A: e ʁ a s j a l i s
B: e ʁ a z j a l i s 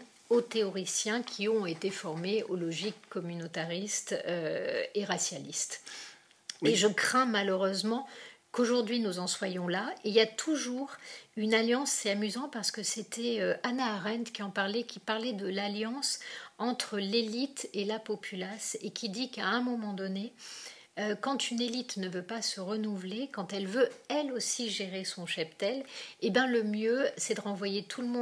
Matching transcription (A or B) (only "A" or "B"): A